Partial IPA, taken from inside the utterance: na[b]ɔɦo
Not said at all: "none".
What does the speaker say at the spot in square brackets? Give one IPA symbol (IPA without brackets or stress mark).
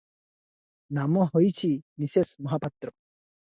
m